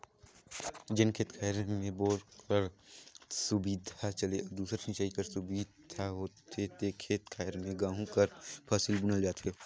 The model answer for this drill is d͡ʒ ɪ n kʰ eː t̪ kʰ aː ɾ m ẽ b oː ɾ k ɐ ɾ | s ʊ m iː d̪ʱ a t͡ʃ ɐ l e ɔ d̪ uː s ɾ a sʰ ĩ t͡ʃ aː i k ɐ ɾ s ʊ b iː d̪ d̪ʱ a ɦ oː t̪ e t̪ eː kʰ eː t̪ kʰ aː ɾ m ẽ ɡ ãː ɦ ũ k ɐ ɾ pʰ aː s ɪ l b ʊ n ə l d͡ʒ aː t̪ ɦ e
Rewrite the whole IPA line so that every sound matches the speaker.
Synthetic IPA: d͡ʒ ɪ n kʰ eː t̪ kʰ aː ɾ m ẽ b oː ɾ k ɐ ɾ | s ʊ b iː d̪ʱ a t͡ʃ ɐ l e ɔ d̪ uː s ɾ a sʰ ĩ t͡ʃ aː i k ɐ ɾ s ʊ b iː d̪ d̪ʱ a ɦ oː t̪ e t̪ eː kʰ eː t̪ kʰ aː ɾ m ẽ ɡ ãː ɦ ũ k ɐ ɾ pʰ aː s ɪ l b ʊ n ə l d͡ʒ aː t̪ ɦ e